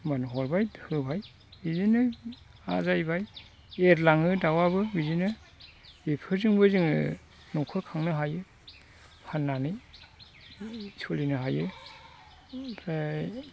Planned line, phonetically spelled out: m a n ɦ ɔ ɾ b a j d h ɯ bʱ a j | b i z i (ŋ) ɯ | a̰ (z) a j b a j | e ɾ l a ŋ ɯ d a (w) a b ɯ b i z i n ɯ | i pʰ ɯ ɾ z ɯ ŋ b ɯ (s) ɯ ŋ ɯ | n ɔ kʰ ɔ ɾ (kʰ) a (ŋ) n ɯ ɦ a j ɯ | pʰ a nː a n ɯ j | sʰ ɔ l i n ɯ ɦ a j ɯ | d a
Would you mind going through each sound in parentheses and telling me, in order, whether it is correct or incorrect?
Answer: incorrect: n, correct, correct, incorrect: z, correct, correct

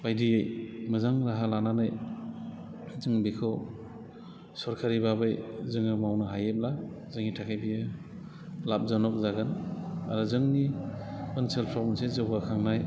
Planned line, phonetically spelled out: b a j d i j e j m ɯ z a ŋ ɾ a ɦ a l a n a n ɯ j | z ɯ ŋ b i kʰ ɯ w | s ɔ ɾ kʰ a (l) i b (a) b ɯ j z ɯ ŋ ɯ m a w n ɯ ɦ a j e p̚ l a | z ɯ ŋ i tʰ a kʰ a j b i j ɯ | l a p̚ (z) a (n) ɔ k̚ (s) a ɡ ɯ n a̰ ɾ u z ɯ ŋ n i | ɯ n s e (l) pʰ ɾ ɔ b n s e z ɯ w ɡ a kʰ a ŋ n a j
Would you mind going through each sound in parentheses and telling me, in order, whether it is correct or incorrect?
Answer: incorrect: ɾ, correct, correct, correct, incorrect: z, correct

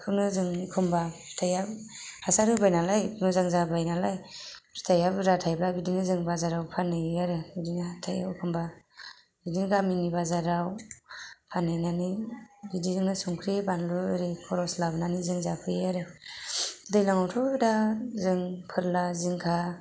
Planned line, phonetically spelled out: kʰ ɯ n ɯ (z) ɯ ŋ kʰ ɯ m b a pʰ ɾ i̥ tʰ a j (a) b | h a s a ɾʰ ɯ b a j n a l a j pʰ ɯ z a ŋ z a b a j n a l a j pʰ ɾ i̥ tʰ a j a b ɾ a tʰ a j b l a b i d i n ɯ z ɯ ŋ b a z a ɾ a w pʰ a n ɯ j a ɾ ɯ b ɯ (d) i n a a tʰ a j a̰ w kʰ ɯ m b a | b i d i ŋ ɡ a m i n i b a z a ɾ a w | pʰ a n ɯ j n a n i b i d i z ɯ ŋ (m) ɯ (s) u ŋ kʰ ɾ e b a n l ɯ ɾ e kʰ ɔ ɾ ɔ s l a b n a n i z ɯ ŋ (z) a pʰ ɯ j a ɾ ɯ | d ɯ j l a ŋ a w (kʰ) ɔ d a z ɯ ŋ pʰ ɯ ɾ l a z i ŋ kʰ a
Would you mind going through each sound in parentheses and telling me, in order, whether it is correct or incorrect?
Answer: correct, correct, correct, incorrect: n, correct, correct, incorrect: tʰ

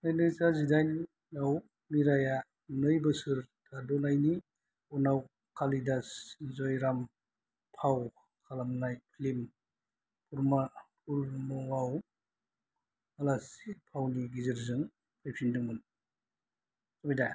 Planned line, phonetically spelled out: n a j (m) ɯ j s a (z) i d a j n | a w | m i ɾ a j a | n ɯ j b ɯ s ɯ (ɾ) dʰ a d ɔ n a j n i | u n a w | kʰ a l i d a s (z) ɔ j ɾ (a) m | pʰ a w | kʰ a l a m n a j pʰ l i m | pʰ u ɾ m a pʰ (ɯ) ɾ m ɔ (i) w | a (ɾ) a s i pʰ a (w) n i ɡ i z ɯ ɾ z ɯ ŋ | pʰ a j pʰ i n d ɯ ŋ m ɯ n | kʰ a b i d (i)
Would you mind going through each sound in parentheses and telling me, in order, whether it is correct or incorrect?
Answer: incorrect: n, correct, correct, correct, correct, incorrect: u, incorrect: a, incorrect: l, correct, incorrect: a

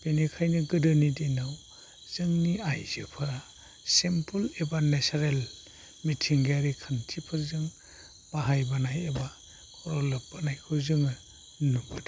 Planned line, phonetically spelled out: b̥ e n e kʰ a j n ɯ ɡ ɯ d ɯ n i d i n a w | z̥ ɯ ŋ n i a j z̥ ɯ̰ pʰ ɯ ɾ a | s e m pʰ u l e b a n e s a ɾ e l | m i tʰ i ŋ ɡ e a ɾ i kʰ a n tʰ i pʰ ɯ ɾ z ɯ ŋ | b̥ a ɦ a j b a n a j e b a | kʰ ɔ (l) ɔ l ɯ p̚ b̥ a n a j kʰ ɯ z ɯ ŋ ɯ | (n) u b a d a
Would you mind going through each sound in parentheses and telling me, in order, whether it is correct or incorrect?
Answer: incorrect: ɾ, correct

